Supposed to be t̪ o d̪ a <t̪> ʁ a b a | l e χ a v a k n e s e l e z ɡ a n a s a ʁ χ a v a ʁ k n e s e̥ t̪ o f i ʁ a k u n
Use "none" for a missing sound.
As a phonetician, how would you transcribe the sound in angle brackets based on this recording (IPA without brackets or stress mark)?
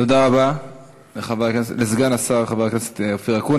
none